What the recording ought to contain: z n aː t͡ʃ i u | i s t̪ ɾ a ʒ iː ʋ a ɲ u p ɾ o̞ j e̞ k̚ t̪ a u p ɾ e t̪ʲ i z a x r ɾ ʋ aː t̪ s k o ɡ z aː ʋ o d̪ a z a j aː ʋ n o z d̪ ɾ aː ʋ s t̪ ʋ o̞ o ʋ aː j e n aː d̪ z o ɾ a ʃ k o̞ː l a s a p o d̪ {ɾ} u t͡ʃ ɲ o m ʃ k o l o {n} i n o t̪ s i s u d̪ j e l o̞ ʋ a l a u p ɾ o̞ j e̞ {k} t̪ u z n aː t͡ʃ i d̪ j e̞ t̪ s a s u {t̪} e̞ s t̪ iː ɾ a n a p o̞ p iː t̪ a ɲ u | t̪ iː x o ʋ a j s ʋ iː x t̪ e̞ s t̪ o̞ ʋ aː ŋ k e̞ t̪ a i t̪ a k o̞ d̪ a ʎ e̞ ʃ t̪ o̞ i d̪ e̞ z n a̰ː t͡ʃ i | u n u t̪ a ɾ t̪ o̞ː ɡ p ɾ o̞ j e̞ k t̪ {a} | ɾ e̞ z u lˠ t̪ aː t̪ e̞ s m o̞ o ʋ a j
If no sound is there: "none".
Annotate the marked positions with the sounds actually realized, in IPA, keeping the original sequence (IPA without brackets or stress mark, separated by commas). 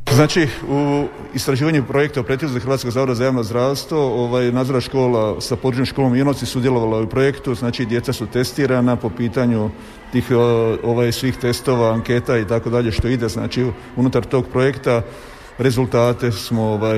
ɾ, m, k, t̪, a